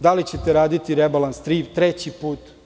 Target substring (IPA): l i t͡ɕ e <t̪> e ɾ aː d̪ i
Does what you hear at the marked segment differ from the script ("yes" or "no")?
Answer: no